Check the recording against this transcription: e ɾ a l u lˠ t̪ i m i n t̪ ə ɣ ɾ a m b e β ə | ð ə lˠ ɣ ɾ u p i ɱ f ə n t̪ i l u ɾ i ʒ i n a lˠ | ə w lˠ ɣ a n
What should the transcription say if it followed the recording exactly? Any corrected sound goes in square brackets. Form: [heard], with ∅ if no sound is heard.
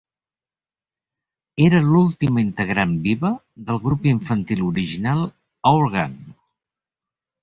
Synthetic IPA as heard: e ɾ [ə] l u lˠ t̪ i m i n t̪ ə ɣ ɾ a m b [i] β ə | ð ə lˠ ɣ ɾ u p i ɱ f ə n t̪ i l u ɾ i ʒ i n a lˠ | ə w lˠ ɣ a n